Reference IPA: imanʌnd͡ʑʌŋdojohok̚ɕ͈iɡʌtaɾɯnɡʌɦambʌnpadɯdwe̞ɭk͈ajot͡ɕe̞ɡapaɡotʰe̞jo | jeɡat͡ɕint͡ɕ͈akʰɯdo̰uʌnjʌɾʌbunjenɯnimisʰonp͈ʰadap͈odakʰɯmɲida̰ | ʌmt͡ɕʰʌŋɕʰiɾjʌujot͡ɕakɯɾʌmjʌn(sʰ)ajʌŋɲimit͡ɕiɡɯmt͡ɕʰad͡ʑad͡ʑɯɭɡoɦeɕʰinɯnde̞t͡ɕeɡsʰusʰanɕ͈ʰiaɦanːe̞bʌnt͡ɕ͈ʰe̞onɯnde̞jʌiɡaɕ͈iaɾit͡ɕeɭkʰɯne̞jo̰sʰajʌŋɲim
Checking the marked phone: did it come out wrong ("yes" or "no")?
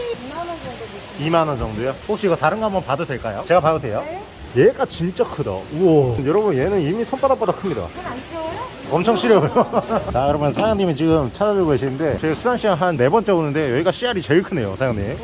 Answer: no